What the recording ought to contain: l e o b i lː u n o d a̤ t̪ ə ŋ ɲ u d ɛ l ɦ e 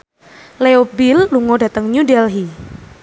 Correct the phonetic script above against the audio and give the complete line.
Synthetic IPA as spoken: l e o b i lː u ŋ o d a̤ t̪ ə ŋ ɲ u d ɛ l ɦ i